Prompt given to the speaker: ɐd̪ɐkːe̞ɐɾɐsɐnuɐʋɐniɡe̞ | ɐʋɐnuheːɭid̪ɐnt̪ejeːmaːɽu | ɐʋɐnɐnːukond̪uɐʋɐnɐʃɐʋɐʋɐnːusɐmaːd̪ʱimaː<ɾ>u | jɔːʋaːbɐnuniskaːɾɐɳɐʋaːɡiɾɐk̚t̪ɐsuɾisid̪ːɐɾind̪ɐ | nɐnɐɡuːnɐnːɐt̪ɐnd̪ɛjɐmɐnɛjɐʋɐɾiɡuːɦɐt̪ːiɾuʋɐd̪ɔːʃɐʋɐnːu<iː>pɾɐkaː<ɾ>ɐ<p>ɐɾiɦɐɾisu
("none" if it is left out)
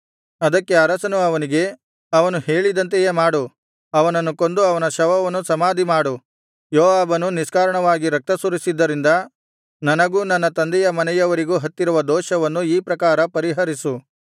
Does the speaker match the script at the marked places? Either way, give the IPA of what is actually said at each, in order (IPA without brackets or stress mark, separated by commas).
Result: ɽ, iː, ɾ, p